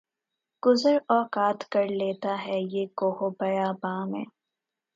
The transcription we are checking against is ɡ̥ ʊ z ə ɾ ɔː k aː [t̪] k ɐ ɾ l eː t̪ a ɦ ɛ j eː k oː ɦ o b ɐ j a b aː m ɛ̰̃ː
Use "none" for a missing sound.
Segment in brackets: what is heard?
t̪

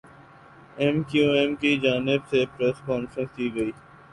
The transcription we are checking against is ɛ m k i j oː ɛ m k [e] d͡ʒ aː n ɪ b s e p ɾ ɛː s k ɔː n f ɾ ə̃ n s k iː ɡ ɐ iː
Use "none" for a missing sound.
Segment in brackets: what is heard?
i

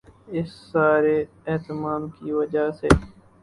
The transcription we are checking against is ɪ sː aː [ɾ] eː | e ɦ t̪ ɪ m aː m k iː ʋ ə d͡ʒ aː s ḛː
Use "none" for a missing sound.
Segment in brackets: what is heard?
ɾ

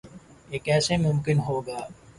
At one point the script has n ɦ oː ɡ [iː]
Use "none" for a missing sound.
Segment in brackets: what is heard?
aː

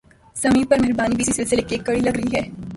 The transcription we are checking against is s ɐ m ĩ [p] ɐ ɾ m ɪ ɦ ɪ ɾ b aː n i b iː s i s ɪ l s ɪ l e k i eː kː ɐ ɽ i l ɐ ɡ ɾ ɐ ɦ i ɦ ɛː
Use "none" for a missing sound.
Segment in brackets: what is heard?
p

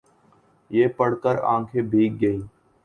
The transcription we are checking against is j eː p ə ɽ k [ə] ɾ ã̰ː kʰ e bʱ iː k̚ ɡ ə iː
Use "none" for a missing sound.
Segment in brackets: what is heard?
ə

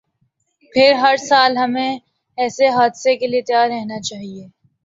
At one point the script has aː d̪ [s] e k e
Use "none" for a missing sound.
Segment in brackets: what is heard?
s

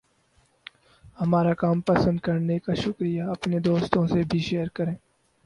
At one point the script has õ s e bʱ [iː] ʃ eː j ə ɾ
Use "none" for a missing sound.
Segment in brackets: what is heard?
i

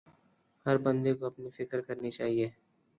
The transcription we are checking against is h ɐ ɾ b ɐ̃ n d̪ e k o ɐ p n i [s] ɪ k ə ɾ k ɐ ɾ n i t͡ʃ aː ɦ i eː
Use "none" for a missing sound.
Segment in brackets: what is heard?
f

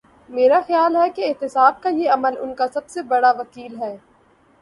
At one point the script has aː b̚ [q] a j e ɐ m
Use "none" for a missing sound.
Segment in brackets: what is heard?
k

